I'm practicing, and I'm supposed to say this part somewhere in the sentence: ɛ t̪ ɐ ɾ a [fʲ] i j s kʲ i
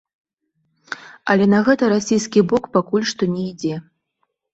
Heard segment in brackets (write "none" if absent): sʲ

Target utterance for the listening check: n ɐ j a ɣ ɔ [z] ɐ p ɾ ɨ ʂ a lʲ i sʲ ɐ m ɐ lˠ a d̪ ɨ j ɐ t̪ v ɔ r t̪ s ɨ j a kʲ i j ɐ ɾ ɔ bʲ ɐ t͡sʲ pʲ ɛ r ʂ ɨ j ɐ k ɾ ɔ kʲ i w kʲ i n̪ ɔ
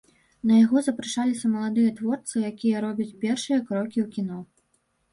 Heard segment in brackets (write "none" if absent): z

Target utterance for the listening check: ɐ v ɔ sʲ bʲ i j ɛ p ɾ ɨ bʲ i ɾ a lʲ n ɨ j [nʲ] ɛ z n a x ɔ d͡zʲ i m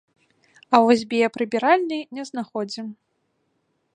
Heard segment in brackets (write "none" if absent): nʲ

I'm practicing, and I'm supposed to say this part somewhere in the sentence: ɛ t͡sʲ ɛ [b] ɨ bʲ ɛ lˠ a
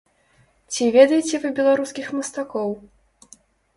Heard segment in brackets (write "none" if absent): v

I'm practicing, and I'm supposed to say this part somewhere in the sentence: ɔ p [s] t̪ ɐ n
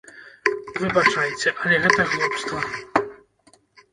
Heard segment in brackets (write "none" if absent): s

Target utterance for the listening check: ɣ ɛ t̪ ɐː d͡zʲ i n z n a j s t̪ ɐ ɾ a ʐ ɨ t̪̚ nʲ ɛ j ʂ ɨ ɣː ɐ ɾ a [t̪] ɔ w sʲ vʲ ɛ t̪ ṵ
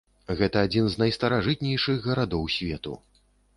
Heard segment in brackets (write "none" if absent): d̪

